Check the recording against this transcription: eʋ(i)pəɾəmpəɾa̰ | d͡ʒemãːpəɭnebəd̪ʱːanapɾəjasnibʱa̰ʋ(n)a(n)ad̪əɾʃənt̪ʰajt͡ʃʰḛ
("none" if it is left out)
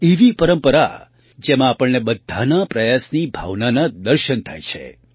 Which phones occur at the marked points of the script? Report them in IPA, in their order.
i, n, n

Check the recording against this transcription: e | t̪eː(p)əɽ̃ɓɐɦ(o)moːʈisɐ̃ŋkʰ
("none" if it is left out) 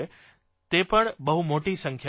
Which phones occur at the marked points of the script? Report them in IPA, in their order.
p, u

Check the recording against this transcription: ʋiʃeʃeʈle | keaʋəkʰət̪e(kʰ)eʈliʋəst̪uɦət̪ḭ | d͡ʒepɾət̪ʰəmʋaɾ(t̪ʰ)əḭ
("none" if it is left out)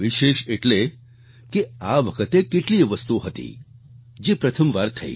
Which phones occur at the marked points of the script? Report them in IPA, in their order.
k, t̪ʰ

